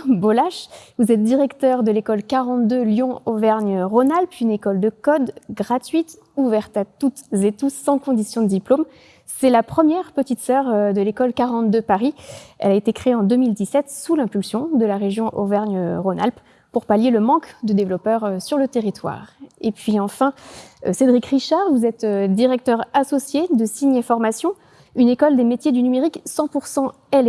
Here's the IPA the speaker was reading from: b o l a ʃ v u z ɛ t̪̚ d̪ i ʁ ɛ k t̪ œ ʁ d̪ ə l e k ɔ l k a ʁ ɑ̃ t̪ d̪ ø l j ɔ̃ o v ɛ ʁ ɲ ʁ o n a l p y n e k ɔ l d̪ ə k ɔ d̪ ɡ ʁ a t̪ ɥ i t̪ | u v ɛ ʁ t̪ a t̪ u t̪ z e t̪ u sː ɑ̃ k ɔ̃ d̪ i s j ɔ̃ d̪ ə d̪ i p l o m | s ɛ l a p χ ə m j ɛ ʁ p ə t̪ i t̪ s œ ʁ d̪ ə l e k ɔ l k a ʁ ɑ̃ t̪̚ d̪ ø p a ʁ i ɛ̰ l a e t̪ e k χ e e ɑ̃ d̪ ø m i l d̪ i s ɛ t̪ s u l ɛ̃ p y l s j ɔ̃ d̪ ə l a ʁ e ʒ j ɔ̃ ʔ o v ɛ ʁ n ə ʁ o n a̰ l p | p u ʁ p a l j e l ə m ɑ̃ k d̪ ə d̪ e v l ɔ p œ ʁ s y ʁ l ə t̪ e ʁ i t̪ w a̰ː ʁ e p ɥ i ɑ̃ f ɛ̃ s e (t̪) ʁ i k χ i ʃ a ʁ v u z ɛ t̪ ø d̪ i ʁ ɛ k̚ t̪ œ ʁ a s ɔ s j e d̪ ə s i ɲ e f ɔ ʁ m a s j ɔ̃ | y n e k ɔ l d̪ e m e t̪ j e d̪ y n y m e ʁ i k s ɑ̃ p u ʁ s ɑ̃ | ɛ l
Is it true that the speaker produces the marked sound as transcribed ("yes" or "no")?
no